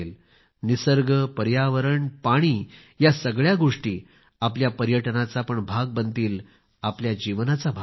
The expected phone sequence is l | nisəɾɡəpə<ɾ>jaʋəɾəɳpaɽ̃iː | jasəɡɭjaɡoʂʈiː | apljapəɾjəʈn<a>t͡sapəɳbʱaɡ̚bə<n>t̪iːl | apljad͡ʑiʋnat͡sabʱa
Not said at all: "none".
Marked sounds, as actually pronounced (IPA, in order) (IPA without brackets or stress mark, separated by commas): ɾ, a, n